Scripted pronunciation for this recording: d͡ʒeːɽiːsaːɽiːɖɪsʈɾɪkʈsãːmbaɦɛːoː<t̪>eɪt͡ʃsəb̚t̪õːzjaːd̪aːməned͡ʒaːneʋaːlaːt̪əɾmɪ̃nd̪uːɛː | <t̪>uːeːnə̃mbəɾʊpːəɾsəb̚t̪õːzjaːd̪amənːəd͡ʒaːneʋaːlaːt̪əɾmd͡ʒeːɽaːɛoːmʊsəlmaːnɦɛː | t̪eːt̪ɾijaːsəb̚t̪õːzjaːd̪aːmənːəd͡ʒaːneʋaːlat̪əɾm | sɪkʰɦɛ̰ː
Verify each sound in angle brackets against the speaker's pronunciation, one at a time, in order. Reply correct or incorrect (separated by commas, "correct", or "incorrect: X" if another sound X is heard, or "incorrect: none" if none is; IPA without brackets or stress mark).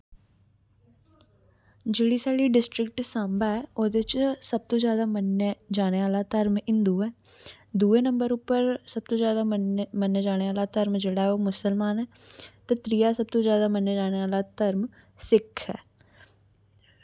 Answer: incorrect: d̪, incorrect: d̪